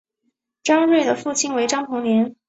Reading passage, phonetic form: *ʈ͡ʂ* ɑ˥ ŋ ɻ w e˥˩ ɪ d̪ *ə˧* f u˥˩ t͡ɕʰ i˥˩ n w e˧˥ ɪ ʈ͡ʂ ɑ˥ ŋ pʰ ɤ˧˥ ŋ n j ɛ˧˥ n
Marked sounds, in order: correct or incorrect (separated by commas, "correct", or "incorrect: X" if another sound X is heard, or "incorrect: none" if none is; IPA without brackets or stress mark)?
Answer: correct, incorrect: ə˩